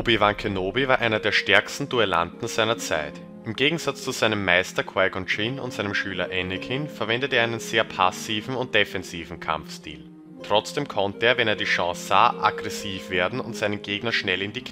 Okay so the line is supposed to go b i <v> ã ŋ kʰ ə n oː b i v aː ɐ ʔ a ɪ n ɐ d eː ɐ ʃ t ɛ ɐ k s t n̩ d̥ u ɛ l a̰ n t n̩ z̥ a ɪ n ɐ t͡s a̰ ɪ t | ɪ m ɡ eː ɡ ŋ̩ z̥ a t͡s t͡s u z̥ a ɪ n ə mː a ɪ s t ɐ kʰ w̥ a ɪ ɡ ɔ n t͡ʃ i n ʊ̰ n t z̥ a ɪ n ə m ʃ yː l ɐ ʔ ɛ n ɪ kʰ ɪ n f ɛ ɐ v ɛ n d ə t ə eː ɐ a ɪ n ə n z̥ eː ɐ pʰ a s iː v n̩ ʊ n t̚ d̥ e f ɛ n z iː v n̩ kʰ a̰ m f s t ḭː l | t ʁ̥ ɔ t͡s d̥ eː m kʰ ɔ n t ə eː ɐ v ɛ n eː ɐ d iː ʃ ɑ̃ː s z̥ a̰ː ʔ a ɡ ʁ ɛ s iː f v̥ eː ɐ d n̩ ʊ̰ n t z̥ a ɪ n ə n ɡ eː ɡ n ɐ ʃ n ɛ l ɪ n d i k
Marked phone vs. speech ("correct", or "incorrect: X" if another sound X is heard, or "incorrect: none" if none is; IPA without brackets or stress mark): correct